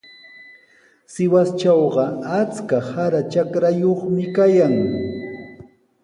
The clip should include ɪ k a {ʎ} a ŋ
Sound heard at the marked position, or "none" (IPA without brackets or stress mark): j